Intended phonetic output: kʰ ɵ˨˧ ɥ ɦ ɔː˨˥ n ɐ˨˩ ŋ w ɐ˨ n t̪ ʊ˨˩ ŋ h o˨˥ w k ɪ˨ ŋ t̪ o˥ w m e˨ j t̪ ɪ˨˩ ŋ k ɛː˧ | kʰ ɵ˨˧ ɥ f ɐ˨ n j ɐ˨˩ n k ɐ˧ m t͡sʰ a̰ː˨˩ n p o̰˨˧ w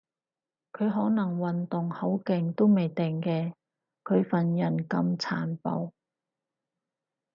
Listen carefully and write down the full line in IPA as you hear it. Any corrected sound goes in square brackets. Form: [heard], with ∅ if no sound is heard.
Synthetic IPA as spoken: kʰ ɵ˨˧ ɥ ɦ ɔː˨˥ n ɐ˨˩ ŋ w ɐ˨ n t̪ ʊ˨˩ ŋ h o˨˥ w k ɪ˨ ŋ t̪ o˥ w m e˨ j t̪ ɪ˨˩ ŋ k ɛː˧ | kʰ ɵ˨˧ ɥ f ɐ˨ n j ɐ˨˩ n k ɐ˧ m t͡sʰ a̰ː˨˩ n p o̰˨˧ w